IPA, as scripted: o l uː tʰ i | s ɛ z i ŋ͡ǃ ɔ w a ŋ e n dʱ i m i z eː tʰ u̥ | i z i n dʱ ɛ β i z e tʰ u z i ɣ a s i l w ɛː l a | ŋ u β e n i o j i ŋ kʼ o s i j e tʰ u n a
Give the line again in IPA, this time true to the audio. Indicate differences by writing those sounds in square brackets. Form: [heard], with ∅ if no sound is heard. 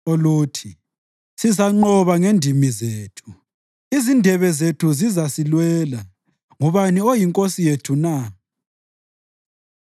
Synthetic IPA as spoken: o l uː tʰ i | s [i] z [a] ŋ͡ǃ ɔ [β] a ŋ e n dʱ i m i z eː tʰ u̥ | i z i n dʱ ɛ β [ɛ] z e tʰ u z i [z] a s i l w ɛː l a | ŋ u β [a] n i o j i ŋ kʼ o s i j e tʰ u n a